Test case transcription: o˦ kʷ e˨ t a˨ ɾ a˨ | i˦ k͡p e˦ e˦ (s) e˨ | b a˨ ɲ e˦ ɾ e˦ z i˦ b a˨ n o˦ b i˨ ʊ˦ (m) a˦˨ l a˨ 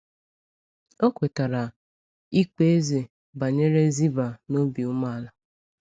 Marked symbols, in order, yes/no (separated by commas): no, yes